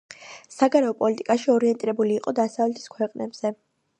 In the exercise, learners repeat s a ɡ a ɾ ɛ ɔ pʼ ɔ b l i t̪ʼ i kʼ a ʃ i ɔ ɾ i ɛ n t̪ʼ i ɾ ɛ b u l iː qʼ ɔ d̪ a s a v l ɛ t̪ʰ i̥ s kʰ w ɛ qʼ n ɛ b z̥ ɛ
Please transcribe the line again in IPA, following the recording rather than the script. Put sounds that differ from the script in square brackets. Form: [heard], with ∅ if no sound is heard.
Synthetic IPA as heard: s a ɡ a ɾ ɛ ɔ pʼ ɔ [∅] l i t̪ʼ i kʼ a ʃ i ɔ ɾ i ɛ n t̪ʼ i ɾ ɛ b u l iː qʼ ɔ d̪ a s a v l ɛ t̪ʰ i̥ s kʰ w ɛ qʼ n ɛ b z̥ ɛ